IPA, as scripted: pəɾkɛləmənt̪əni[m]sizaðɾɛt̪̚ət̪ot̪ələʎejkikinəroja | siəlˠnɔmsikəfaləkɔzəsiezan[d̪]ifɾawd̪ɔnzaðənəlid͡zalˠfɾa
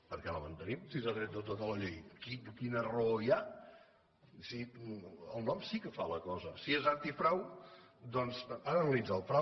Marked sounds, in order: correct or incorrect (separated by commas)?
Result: correct, incorrect